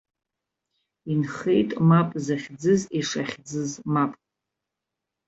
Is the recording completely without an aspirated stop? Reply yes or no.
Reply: yes